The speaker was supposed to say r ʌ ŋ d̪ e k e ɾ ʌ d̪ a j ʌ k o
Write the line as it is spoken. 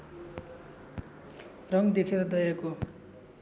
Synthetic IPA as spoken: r ʌ ŋ d̪ e kʰ e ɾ ʌ d̪ ʌ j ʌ k o